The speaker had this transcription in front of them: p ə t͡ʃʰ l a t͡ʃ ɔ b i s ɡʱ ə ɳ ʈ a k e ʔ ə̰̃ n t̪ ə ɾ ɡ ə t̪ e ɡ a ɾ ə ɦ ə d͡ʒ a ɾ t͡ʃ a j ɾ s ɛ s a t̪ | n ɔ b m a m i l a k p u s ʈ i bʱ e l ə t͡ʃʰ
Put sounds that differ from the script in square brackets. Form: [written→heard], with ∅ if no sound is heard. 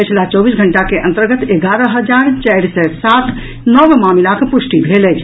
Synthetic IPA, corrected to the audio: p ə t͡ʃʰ l a t͡ʃ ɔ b i s ɡʱ ə ɳ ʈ a k e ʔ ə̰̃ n t̪ ə ɾ ɡ ə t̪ e ɡ a ɾ ə ɦ ə d͡ʒ a ɾ t͡ʃ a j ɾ s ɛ s a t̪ | n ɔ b m a m i l a k p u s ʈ i bʱ e l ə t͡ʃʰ